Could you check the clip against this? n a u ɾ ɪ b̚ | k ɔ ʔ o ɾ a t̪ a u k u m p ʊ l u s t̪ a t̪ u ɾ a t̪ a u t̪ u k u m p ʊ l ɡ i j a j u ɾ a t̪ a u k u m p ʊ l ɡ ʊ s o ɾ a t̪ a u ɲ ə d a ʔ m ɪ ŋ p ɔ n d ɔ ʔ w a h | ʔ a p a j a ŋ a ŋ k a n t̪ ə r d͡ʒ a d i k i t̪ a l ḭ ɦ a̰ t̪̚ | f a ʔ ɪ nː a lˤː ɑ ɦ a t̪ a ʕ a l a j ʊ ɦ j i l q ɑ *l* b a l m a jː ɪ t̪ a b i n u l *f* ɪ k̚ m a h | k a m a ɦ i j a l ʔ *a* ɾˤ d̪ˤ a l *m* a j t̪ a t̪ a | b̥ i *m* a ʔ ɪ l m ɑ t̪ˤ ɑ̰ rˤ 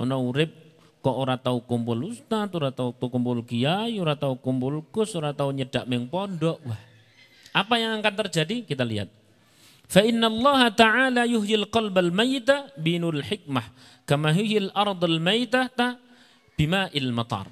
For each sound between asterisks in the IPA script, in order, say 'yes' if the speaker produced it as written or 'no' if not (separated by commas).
yes, no, no, yes, yes